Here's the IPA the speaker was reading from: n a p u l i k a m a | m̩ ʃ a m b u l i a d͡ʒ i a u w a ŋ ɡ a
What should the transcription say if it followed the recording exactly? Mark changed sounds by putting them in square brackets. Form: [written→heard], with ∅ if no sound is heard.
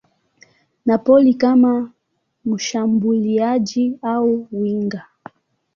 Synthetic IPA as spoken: n a p [u→ɔ] l i k a m a | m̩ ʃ a m b u l i a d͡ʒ i a u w [a→i] ŋ ɡ a